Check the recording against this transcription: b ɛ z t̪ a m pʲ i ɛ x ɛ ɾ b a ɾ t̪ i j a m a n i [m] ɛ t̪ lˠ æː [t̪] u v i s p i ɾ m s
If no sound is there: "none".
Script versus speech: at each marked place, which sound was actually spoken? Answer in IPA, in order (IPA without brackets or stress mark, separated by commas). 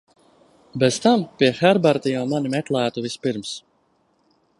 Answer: m, t̪